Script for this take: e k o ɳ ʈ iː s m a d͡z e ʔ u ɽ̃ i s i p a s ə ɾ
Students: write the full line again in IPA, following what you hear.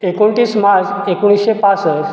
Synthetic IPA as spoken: e k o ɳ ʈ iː s m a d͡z e k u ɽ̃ i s e p a s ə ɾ